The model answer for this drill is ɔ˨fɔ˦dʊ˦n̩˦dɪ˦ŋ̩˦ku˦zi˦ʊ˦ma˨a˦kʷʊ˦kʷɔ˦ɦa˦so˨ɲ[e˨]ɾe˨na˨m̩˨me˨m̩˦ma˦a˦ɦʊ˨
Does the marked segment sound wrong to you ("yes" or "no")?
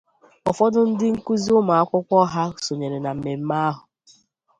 no